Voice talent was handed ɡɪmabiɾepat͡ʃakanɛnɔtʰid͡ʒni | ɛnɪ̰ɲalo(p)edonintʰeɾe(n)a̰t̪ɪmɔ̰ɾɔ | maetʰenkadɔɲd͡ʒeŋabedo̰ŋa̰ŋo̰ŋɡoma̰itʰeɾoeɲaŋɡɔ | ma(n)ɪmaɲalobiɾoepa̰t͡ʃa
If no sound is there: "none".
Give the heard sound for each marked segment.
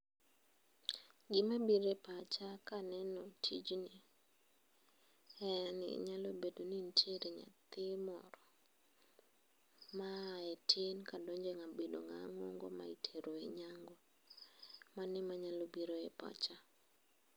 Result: b, ɲ, n

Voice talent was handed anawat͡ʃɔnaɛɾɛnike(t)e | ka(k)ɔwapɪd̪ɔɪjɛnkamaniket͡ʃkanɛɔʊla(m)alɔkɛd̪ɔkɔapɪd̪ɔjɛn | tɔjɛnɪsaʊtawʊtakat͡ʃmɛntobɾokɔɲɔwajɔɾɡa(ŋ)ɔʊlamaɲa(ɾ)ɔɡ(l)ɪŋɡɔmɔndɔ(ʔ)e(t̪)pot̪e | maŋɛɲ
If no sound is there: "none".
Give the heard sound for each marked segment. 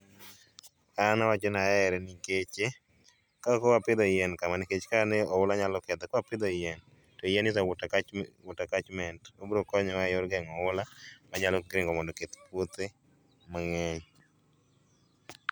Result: t͡ʃ, k, ɲ, ŋ, l, ɾ, k, t̪

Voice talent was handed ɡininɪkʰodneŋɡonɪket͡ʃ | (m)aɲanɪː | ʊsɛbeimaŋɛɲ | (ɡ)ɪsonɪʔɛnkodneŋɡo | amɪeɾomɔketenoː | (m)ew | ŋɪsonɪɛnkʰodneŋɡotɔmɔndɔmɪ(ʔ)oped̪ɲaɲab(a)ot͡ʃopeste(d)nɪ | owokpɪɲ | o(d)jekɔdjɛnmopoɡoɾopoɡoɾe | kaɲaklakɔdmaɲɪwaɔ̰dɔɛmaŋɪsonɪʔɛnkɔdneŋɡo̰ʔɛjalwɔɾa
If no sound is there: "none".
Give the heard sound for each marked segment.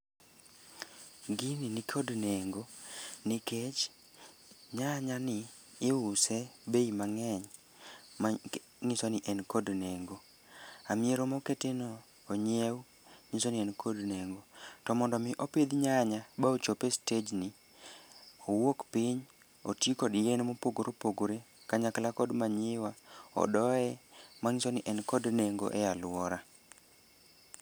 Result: ɲ, ŋ, ɲ, ʔ, a, d͡ʒ, t

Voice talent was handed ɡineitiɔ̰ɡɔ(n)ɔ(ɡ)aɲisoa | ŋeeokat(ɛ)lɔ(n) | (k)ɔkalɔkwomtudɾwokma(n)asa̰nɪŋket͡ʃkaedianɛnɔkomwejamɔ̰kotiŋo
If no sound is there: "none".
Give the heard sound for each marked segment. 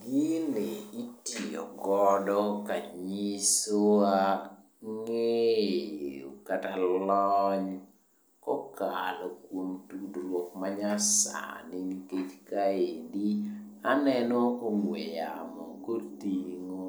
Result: d, k, a, ɲ, k, ɲ

